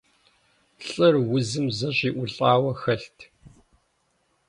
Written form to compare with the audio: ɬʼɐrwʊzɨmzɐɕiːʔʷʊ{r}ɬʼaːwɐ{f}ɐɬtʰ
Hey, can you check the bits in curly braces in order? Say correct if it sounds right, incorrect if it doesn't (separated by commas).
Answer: incorrect, incorrect